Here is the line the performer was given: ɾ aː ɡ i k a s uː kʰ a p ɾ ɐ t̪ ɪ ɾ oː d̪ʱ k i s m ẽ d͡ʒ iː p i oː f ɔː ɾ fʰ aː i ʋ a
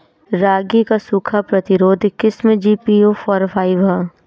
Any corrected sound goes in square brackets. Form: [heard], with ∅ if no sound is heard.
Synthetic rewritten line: ɾ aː ɡ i k a s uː kʰ a p ɾ ɐ t̪ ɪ ɾ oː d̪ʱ k [ɪ] s m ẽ d͡ʒ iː p i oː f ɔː ɾ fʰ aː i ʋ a